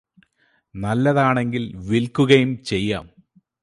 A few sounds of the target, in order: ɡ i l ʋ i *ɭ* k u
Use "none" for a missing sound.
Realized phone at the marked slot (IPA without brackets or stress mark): l